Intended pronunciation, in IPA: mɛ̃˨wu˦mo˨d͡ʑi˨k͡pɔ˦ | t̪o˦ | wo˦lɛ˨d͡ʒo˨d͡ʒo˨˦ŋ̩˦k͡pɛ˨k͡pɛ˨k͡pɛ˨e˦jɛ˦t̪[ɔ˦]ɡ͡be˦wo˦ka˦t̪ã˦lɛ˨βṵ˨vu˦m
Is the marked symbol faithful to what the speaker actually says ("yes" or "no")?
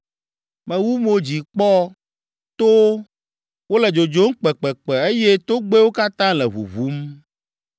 no